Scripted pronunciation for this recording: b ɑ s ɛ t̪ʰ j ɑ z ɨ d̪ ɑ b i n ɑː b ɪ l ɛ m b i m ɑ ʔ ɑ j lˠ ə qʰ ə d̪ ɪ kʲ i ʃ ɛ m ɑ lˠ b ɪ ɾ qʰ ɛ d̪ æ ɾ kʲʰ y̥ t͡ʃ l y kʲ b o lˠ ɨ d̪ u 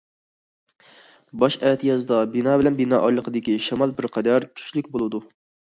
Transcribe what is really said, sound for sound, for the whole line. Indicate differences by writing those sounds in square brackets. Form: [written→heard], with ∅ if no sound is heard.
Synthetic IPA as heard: b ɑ [s→ʃ] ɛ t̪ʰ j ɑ z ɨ d̪ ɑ b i n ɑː b ɪ l ɛ [m→n] b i [m→n] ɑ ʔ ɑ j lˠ ə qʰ ə d̪ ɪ kʲ i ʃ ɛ m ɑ lˠ b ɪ ɾ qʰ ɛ d̪ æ ɾ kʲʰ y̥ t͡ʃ l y kʲ b o lˠ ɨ d̪ u

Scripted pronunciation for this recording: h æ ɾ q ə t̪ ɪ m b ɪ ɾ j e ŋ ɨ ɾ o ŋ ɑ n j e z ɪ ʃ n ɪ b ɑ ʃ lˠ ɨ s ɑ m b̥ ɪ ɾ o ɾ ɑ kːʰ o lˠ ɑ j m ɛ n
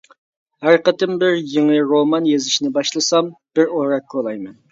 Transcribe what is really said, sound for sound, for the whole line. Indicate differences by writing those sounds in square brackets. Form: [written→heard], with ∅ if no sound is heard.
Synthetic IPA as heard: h æ ɾ q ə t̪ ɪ m b ɪ ɾ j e ŋ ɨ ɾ o [ŋ→m] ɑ n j e z ɪ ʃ n ɪ b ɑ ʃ lˠ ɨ s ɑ m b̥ ɪ ɾ o ɾ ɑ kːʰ o lˠ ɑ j m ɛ n

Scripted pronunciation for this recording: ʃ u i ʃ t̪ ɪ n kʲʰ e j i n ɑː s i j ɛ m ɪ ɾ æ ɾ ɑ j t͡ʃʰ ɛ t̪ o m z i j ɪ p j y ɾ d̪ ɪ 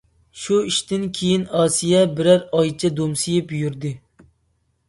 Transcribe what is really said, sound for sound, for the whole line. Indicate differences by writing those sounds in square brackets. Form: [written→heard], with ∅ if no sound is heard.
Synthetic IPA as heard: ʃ u i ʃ t̪ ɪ n kʲʰ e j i n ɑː s i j ɛ [m→b] ɪ ɾ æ ɾ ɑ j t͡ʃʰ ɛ [t̪→d̪] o m [z→s] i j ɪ p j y ɾ d̪ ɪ

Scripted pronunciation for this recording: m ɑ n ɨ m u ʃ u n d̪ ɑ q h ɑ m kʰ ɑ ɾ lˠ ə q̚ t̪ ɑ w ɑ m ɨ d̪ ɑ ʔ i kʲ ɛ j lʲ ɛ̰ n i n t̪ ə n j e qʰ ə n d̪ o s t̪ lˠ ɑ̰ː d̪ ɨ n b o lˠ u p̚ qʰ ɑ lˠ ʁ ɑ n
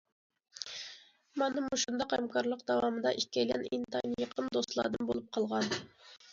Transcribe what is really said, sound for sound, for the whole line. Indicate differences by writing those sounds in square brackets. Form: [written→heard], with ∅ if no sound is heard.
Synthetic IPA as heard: m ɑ n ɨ m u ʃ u n d̪ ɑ q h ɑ m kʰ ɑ ɾ lˠ ə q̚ [t̪→d̪] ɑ w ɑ m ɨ d̪ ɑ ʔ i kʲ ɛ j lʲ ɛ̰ n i n t̪ [ə→ɑ] n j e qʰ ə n d̪ o s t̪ lˠ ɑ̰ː d̪ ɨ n b o lˠ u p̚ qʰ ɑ lˠ ʁ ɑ n

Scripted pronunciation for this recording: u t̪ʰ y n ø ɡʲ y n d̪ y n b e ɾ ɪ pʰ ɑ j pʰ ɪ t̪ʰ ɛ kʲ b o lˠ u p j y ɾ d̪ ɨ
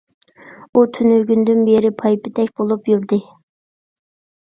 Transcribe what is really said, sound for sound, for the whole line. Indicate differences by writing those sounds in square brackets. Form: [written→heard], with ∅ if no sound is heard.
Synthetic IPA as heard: u t̪ʰ y n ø ɡʲ y n d̪ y n b e ɾ ɪ pʰ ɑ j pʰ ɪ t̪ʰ ɛ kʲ b o lˠ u p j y ɾ d̪ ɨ

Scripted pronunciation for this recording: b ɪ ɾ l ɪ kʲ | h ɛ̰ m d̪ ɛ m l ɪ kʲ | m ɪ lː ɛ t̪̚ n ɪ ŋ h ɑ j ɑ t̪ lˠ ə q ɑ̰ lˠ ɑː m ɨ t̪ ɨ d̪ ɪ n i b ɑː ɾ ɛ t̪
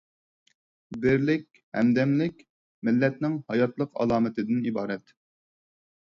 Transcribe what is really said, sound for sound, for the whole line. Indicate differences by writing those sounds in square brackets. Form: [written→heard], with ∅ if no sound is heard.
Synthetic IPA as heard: b ɪ ɾ l ɪ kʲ | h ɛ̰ m d̪ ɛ m l ɪ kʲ | m ɪ lː ɛ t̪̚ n ɪ ŋ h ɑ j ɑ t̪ lˠ ə q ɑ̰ lˠ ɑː m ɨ t̪ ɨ d̪ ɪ n i b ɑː ɾ ɛ t̪

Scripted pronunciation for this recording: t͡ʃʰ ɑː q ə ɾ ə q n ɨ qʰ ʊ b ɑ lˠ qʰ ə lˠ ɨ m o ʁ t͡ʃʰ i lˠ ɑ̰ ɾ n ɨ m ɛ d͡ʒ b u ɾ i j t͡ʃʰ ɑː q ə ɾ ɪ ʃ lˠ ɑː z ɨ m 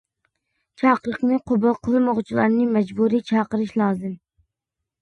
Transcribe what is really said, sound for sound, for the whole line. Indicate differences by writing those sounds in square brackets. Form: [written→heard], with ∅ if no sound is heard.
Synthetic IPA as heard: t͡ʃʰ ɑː q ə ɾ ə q n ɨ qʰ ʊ b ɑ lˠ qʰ ə lˠ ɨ m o ʁ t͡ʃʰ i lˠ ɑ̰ ɾ n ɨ m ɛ d͡ʒ b u ɾ i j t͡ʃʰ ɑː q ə ɾ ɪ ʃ lˠ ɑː z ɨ m

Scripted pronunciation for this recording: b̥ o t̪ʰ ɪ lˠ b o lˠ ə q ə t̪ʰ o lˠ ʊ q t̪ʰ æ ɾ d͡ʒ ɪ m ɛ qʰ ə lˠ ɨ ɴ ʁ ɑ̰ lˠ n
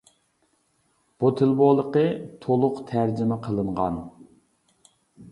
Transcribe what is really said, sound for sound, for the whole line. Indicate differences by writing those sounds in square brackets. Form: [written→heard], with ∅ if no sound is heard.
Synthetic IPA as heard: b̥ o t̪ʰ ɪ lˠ b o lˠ ə q ə t̪ʰ o lˠ ʊ q t̪ʰ æ ɾ d͡ʒ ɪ m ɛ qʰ ə lˠ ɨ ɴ ʁ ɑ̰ [lˠ→∅] n

